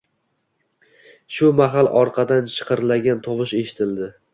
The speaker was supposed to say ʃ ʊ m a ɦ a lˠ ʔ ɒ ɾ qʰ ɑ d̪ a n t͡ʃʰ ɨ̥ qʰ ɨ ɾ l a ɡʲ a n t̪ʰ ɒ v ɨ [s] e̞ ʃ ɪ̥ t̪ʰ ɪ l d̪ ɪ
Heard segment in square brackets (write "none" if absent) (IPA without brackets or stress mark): ʃ